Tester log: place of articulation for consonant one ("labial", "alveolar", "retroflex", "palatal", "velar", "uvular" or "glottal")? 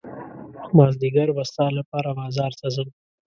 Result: labial